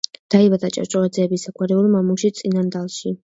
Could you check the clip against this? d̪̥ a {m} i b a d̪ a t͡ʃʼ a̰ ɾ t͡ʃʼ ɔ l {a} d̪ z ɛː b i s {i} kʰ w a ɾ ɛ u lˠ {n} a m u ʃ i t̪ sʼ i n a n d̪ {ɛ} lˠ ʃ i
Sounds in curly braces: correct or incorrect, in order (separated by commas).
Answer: incorrect, correct, incorrect, incorrect, incorrect